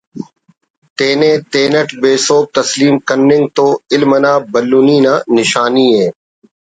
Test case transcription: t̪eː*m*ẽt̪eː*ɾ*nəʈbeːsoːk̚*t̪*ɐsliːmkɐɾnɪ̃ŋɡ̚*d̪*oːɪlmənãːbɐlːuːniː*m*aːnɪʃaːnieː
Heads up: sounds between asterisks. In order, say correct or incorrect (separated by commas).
incorrect, incorrect, correct, incorrect, incorrect